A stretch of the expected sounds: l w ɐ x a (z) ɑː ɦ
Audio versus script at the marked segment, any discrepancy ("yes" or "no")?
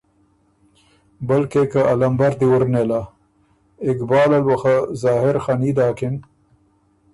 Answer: no